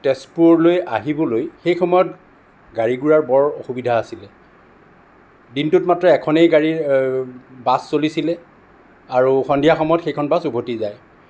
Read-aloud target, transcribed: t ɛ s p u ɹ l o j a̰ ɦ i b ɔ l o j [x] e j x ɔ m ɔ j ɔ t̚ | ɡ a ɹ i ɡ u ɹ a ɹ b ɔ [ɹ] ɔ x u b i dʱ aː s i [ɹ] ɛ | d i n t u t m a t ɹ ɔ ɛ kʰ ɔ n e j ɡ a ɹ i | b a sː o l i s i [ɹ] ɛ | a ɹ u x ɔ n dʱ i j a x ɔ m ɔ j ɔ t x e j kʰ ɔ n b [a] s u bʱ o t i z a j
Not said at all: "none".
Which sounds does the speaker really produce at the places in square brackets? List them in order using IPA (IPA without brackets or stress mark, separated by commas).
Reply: x, ɹ, l, l, a